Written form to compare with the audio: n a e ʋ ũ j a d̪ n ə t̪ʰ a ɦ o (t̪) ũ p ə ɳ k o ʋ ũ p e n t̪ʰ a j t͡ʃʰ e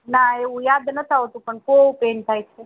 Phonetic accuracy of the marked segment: correct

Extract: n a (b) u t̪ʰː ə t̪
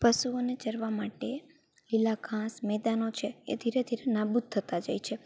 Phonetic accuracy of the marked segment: correct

